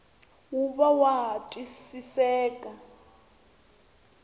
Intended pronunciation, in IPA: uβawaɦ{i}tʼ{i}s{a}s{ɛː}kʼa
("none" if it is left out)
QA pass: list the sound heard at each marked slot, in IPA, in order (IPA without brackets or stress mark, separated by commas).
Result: a, i, i, ɛː